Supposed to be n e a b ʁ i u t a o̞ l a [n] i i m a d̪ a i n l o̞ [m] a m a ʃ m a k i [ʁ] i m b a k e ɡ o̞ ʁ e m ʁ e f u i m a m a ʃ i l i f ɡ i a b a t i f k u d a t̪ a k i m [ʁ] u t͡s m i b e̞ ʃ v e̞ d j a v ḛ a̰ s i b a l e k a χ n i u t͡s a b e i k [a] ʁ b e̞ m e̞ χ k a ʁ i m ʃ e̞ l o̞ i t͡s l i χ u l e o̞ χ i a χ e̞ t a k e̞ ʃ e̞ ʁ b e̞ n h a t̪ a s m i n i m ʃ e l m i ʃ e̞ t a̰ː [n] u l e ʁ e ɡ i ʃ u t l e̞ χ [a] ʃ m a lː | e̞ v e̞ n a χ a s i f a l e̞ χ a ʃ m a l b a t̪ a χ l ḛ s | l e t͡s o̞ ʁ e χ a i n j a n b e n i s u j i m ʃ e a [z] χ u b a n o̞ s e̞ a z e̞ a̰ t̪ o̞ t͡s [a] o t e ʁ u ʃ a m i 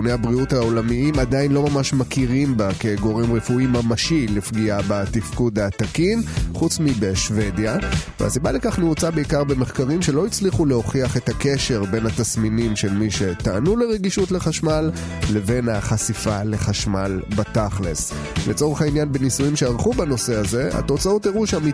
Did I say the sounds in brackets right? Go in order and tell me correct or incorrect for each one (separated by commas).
incorrect, correct, correct, incorrect, correct, correct, correct, incorrect, correct